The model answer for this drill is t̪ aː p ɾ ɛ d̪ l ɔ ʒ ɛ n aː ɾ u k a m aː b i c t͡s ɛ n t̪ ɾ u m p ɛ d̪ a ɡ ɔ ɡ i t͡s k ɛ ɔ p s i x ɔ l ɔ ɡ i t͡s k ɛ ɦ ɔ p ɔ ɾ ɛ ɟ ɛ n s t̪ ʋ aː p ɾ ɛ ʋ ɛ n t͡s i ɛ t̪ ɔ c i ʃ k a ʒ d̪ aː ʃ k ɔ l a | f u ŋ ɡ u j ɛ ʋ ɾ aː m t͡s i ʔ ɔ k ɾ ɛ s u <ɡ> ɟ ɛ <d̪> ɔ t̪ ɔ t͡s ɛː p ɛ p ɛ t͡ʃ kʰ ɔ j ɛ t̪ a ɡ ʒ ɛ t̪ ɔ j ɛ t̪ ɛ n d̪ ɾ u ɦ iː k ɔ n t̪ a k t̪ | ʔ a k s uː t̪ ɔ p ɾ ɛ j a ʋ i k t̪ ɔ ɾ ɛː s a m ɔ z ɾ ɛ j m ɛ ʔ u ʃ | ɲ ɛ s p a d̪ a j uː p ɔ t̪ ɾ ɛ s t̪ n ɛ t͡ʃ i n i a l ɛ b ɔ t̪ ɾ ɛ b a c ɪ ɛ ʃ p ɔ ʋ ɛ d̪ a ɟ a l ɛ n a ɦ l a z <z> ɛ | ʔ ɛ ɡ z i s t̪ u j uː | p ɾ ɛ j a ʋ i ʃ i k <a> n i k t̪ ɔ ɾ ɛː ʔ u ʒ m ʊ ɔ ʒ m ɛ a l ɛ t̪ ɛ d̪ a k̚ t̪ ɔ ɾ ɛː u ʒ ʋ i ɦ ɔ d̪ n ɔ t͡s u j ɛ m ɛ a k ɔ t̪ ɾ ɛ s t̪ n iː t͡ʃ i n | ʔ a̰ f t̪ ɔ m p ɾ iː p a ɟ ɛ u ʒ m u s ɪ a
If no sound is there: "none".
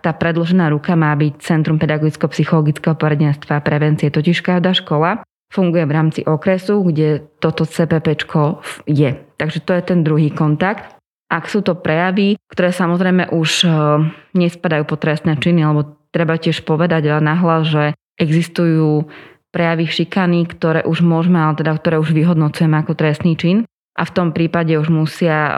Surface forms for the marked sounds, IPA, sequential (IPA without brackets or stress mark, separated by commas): ɡ, t̪, ʒ, a